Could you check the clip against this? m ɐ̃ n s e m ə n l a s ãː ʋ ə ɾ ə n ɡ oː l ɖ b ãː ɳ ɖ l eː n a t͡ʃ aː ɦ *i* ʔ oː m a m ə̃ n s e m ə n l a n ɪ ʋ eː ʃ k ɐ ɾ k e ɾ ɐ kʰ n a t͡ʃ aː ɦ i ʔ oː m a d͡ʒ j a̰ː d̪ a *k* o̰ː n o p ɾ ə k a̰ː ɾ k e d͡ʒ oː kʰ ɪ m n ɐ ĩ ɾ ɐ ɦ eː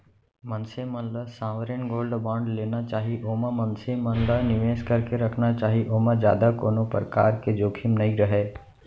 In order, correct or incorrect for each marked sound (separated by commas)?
correct, correct